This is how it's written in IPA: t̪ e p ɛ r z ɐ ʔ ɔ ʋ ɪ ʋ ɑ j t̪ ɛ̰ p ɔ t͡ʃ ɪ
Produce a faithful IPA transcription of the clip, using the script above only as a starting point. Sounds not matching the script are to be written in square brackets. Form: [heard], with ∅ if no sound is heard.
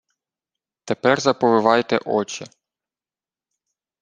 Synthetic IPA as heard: t̪ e p ɛ r z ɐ [p] ɔ ʋ ɪ ʋ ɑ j t̪ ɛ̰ [ʔ] ɔ t͡ʃ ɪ